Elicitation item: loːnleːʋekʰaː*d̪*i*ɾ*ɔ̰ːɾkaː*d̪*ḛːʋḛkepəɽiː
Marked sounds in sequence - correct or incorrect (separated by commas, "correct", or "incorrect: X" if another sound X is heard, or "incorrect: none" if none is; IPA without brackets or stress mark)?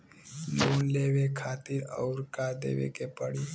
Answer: incorrect: t̪, correct, correct